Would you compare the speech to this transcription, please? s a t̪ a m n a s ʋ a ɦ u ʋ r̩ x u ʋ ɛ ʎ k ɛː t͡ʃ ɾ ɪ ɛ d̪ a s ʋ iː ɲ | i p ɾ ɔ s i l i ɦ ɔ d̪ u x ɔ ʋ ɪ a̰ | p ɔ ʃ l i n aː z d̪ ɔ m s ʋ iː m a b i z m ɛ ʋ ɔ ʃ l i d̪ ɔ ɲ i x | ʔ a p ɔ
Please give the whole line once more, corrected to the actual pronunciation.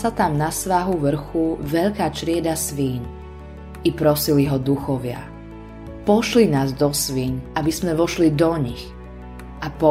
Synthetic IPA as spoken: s a t̪ a m n a s ʋ a ɦ u ʋ r̩ x u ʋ ɛ ʎ k aː t͡ʃ ɾ ɪ ɛ d̪ a s ʋ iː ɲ | i p ɾ ɔ s i l i ɦ ɔ d̪ u x ɔ ʋ ɪ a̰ | p ɔ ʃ l i n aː z d̪ ɔ s ʋ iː ɲ a b i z m ɛ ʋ ɔ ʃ l i d̪ ɔ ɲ i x | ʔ a p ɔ